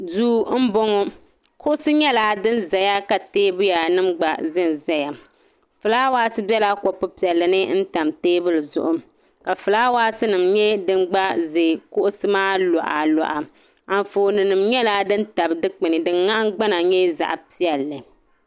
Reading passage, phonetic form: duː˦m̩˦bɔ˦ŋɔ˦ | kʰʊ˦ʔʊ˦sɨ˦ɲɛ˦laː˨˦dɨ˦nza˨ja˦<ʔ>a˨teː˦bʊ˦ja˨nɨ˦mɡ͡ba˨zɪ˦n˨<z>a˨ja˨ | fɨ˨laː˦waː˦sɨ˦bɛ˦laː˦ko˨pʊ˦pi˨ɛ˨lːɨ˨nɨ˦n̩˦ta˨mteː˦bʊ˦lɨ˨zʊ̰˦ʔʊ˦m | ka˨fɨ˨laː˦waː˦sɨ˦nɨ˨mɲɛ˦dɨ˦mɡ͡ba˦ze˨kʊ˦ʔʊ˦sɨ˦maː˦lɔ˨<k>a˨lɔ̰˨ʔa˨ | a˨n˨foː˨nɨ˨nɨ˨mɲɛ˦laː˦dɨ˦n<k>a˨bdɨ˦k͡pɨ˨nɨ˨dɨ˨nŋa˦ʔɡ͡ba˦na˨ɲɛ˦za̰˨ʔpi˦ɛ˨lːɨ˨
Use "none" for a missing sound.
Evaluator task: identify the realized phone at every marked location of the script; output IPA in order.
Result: k, z, ʔ, t

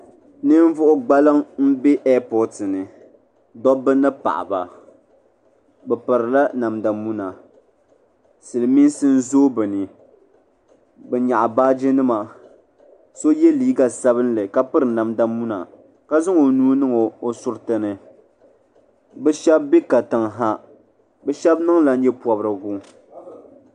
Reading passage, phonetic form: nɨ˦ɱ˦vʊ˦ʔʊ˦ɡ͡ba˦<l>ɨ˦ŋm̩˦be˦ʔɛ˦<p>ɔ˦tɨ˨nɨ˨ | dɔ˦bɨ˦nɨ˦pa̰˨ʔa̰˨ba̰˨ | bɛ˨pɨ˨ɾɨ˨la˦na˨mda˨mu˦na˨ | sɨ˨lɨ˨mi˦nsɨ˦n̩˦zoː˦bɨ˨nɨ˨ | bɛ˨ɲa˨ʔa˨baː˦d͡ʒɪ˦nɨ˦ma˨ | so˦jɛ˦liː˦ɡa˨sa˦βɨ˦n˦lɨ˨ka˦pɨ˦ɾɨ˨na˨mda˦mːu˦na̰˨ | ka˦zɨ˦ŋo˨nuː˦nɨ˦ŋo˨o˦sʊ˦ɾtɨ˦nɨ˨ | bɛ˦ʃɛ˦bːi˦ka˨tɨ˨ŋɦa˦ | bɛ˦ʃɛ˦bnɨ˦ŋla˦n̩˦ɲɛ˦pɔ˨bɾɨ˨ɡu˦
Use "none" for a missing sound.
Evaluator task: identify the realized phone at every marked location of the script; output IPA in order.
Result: l, p

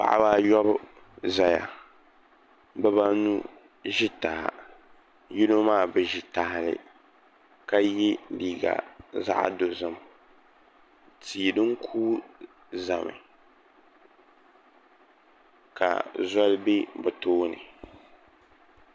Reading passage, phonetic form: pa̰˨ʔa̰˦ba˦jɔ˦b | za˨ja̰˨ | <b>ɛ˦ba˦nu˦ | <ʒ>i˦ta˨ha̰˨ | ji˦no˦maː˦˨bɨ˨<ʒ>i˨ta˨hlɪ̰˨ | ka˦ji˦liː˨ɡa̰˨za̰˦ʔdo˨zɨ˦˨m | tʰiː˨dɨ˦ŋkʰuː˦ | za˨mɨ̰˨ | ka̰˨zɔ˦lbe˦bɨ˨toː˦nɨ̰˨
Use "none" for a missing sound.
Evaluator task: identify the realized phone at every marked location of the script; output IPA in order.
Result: b, ʒ, ʒ

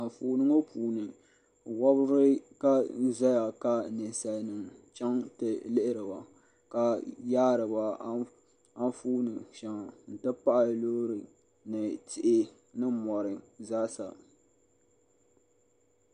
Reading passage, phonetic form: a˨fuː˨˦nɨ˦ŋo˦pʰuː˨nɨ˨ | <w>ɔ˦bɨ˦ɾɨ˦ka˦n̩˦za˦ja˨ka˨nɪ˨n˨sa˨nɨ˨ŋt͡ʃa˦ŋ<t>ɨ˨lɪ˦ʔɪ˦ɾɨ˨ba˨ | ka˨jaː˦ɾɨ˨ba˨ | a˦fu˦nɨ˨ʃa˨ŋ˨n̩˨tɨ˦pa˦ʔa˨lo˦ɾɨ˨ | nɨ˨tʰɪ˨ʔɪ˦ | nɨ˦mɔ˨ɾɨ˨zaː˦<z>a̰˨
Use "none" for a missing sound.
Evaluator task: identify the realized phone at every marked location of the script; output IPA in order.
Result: w, t, s

